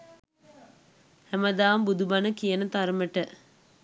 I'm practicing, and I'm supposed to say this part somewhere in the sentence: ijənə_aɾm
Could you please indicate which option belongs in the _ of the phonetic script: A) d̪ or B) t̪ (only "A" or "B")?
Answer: B